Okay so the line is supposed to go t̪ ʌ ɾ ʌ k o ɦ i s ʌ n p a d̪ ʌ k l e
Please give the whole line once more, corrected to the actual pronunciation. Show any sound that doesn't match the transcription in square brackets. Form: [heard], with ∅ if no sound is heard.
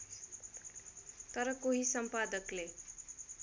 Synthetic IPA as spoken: t̪ ʌ ɾ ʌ k o ɦ i s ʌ [m] p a d̪ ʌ k l e